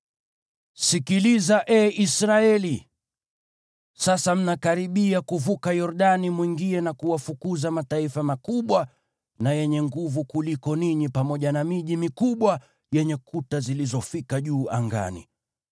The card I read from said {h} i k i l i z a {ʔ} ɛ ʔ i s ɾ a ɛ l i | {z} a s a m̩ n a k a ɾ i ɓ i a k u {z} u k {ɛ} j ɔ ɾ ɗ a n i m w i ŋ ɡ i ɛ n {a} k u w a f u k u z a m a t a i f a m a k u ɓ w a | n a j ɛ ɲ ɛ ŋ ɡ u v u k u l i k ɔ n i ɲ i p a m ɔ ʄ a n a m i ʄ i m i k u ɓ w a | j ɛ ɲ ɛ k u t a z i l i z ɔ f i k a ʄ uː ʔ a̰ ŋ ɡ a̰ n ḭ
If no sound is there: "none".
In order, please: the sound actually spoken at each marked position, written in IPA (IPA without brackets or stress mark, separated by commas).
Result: s, ʔ, s, v, a, a